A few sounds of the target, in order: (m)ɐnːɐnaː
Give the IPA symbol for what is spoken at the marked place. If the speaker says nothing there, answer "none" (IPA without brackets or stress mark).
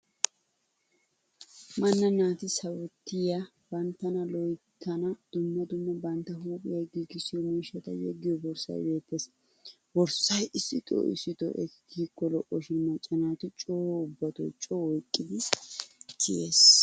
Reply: m